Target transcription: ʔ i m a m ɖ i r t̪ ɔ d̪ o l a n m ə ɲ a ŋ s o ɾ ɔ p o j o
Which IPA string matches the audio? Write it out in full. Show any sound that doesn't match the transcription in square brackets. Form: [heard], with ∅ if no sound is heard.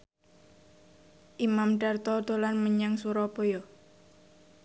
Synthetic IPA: ʔ i m a m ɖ [a] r t̪ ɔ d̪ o l a n m ə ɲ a ŋ s [u] ɾ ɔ p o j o